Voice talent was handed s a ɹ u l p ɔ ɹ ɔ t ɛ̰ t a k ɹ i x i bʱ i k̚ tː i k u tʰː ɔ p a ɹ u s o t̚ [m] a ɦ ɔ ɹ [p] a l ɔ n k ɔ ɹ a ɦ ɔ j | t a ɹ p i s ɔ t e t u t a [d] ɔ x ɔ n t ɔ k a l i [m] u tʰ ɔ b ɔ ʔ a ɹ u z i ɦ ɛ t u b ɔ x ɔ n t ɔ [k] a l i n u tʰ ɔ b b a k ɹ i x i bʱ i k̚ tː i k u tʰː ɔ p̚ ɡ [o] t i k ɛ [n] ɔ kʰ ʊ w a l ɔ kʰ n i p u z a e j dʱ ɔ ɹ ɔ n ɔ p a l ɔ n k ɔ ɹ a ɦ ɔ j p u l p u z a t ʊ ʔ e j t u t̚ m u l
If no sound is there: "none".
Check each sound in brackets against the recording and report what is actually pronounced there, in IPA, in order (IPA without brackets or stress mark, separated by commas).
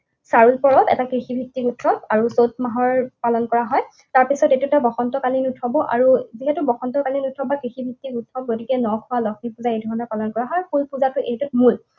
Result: m, p, b, n, k, o, n